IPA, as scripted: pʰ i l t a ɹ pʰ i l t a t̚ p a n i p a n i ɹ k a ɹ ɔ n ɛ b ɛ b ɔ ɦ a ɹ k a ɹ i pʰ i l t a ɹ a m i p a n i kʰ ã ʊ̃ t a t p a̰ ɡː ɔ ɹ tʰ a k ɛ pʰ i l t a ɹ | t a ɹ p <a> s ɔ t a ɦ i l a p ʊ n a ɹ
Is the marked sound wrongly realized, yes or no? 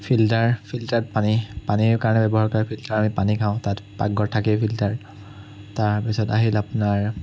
yes